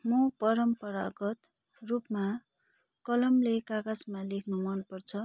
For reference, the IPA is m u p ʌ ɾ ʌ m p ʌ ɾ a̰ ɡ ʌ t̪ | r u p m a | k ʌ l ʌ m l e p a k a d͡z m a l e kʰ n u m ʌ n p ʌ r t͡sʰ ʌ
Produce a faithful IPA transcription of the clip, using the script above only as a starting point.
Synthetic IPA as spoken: m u p ʌ ɾ ʌ m p ʌ ɾ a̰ ɡ ʌ t̪ | r u p m a | k ʌ l ʌ m l e k a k a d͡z m a l e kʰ n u m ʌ n p ʌ r t͡sʰ ʌ